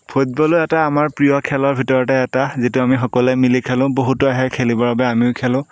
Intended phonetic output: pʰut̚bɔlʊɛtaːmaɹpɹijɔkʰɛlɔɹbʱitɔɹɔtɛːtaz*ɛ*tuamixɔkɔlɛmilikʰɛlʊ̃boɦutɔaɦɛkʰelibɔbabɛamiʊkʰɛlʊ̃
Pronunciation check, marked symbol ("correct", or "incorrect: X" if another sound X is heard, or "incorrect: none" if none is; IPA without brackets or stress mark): incorrect: i